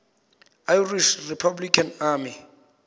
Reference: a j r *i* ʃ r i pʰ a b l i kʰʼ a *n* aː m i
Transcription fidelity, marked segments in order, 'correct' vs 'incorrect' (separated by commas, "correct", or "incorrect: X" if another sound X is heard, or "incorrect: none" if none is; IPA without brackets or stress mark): correct, correct